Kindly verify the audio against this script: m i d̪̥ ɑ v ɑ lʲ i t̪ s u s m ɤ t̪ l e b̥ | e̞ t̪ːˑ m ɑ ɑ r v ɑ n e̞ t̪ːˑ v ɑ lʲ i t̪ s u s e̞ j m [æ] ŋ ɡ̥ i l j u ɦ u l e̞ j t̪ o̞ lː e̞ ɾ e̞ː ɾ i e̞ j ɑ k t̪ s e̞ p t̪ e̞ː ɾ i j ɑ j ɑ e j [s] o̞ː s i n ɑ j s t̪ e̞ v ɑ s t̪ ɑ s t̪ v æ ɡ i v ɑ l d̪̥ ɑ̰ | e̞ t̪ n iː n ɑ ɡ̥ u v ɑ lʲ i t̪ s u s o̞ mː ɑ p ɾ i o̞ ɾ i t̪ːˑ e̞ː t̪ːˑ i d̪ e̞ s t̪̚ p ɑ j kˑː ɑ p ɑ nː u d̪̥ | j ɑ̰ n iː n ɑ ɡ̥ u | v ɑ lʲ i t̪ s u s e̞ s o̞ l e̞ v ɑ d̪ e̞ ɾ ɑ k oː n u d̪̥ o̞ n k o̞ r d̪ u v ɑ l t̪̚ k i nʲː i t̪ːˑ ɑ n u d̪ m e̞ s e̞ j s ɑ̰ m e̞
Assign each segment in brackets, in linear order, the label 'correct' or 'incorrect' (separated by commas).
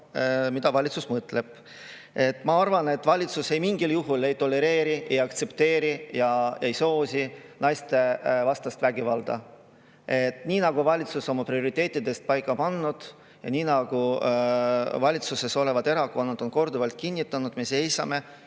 incorrect, correct